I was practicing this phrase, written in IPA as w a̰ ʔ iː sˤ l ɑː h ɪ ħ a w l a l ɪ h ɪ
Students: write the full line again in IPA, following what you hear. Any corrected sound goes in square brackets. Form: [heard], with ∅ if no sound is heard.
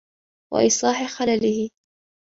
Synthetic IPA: w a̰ ʔ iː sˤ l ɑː [ħ] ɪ [x] a [∅] l a l ɪ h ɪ